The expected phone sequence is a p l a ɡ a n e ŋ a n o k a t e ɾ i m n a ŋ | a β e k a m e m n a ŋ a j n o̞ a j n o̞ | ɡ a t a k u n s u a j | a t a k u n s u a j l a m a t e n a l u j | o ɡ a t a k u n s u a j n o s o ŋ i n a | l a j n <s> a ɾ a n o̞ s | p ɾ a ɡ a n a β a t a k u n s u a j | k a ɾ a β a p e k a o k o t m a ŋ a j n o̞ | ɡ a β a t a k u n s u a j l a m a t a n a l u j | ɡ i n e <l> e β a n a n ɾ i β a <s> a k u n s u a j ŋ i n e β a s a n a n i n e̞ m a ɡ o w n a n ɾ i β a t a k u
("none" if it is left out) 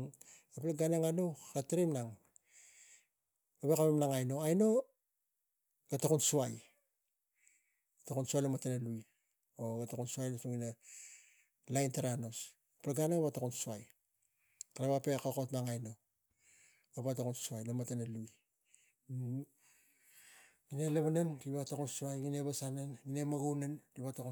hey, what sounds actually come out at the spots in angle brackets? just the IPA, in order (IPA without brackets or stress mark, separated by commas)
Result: t, l, t